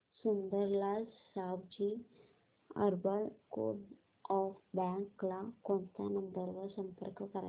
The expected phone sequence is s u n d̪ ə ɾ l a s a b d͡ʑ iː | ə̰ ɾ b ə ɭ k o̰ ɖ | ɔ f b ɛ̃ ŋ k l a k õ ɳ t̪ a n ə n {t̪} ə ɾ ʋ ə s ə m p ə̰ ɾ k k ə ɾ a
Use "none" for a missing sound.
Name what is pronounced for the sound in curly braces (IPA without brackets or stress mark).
d̪